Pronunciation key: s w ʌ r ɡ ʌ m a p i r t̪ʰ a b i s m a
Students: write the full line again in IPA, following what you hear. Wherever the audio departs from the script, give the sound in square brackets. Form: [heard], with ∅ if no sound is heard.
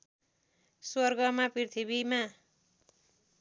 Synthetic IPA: s w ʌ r ɡ ʌ m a p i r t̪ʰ [i] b i [∅] m a